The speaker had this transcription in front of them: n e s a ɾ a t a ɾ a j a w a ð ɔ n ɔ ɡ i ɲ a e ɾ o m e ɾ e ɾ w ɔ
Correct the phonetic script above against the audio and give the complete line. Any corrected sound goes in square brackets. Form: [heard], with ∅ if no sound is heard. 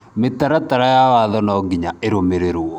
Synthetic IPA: [m] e [t] a ɾ a t a ɾ a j a w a ð ɔ n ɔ ɡ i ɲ a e ɾ o m e ɾ e ɾ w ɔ